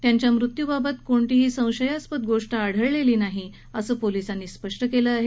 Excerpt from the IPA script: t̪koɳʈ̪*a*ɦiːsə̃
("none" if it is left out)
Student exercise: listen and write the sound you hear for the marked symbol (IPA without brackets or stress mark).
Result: i